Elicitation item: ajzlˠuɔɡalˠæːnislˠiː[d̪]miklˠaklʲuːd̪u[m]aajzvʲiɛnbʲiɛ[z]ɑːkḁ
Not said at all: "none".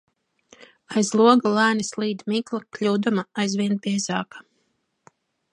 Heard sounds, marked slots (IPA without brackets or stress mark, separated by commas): d̪, m, z